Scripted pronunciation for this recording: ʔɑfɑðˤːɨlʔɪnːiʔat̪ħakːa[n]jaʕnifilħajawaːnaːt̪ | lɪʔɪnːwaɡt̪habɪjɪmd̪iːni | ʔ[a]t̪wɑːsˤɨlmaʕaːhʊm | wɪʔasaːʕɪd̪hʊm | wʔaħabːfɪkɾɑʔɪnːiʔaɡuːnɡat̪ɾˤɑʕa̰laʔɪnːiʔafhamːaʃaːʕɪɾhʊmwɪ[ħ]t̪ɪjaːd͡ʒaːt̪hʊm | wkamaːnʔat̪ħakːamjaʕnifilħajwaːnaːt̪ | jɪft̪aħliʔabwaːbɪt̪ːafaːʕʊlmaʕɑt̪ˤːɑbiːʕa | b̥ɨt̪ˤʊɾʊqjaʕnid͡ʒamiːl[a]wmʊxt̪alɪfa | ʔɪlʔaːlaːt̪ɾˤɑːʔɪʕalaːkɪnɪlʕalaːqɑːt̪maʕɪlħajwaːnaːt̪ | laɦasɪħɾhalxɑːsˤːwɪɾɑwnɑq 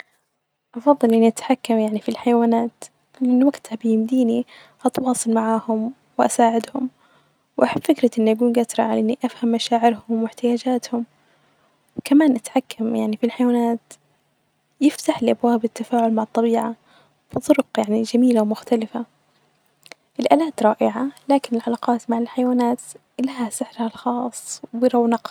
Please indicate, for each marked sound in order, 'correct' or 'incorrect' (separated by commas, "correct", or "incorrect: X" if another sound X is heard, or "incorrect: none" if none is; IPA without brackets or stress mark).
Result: incorrect: m, incorrect: ɑ, correct, correct